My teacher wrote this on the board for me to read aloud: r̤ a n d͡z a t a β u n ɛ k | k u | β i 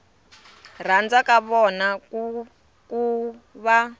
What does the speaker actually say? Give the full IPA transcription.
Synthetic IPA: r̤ a n d͡z a k a β ɔ n a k | k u | β a